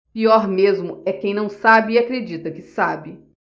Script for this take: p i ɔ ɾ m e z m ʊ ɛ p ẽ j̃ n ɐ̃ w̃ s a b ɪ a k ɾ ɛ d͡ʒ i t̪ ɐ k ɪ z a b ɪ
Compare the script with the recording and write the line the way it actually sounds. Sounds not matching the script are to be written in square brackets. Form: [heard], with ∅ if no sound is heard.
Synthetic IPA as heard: p i ɔ ɾ m e z m ʊ ɛ [k] ẽ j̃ n ɐ̃ w̃ s a b ɪ a k ɾ [e] d͡ʒ i t̪ ɐ k ɪ [s] a b ɪ